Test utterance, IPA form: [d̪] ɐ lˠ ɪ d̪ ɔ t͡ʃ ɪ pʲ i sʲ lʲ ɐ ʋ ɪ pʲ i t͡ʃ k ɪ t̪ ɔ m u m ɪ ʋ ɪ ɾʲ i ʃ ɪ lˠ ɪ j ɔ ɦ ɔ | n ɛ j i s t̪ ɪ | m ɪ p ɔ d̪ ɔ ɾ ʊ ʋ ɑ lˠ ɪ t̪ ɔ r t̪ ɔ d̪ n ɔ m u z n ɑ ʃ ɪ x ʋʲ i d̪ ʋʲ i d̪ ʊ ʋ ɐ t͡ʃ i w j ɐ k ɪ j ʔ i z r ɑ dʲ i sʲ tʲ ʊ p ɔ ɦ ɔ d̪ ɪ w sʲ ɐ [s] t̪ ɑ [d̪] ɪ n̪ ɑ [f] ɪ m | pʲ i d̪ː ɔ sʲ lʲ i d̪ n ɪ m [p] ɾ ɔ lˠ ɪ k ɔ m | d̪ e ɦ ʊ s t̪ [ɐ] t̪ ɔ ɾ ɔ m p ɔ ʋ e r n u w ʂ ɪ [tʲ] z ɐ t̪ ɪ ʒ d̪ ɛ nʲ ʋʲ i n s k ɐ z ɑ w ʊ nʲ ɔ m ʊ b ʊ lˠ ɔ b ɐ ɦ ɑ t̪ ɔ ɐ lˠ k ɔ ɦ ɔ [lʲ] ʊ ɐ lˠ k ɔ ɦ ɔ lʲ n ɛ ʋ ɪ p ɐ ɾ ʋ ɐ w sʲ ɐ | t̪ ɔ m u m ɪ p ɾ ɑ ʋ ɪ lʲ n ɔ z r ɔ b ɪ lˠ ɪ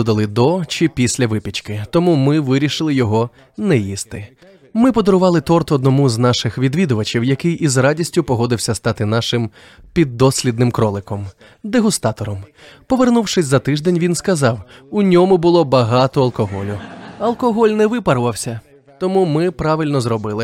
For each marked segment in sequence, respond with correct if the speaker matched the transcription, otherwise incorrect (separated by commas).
correct, correct, incorrect, incorrect, incorrect, incorrect, incorrect, correct